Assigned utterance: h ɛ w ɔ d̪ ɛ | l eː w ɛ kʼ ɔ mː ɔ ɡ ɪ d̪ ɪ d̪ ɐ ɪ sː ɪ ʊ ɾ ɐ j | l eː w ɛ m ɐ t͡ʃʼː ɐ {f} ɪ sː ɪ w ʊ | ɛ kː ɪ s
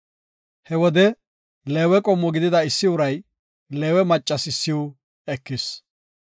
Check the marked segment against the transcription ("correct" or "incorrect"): incorrect